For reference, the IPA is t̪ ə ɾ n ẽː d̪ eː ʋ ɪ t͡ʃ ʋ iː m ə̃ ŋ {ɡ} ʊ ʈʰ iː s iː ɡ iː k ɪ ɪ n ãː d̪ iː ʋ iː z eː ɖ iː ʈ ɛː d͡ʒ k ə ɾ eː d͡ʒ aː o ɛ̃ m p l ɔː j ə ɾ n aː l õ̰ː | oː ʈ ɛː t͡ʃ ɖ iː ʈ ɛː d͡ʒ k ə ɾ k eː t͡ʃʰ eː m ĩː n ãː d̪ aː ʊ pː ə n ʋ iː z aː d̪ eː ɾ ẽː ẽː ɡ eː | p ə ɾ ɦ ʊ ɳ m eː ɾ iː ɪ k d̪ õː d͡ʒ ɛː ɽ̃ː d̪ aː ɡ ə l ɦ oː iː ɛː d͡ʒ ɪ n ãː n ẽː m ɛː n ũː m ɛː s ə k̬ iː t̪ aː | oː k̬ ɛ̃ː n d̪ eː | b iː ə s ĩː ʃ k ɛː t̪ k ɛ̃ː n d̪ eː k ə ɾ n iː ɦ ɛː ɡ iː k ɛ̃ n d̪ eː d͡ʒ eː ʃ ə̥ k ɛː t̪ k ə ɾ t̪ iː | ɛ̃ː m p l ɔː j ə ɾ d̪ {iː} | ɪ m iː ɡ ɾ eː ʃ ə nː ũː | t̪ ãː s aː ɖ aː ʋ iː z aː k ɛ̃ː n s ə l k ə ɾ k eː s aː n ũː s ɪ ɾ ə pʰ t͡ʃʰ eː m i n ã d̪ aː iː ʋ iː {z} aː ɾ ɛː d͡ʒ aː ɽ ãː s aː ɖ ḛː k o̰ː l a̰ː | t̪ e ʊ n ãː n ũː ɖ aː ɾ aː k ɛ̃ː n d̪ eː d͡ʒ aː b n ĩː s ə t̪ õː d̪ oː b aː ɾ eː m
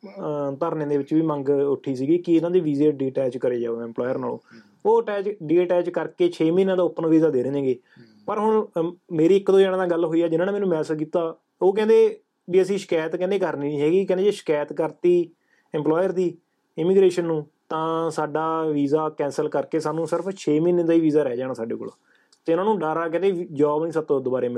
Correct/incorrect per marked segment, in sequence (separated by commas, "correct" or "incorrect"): correct, correct, correct